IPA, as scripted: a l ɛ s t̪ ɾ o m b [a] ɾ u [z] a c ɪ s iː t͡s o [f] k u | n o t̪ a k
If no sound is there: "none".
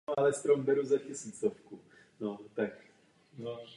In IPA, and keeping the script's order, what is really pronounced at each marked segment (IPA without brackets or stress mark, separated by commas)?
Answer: ɛ, z, f